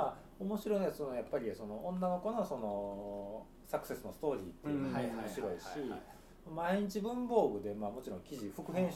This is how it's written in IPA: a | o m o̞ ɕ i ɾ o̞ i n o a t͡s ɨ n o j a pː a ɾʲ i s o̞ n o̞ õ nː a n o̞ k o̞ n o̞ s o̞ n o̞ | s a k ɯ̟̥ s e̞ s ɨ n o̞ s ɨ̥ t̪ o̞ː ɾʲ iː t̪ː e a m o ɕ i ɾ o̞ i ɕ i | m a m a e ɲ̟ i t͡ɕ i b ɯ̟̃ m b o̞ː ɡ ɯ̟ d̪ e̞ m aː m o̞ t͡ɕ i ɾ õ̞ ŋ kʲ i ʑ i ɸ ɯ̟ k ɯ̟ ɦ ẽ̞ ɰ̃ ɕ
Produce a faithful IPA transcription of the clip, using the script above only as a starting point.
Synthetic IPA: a | o m o̞ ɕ i ɾ o̞ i n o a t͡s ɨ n o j a pː a ɾʲ i s o̞ n o̞ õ nː a n o̞ k o̞ n o̞ s o̞ n o̞ | s a k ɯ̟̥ s e̞ s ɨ n o̞ s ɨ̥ t̪ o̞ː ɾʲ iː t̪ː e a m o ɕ i ɾ o̞ i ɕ i | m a m a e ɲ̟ i t͡ɕ i b ɯ̟̃ m b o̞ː ɡ ɯ̟ d̪ e̞ m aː m o̞ t͡ɕ i ɾ õ̞ ŋ kʲ i ʑ i ɸ ɯ̟ k ɯ̟ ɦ ẽ̞ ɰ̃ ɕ